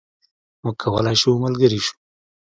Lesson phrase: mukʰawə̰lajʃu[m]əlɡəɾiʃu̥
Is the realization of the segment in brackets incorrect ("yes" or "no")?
no